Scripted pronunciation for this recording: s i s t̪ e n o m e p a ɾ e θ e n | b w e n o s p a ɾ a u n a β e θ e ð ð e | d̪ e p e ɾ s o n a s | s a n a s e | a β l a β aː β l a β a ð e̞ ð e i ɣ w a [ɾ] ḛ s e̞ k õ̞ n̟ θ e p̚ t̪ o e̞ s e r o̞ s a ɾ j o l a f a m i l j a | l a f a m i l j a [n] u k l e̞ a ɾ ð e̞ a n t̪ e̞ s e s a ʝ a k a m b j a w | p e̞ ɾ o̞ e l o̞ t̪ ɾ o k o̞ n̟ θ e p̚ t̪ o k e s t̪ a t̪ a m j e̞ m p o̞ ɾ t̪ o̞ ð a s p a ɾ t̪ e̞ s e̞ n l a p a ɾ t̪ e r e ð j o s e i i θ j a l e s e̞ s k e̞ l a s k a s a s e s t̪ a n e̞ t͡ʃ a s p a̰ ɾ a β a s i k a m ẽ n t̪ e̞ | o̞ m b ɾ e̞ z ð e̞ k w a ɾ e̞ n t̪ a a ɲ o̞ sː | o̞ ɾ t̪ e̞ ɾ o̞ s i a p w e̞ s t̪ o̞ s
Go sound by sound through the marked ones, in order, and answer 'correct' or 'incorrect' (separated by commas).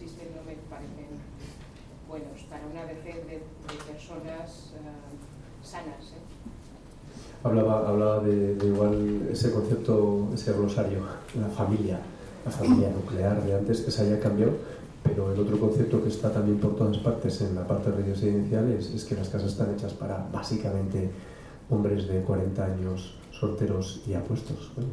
incorrect, correct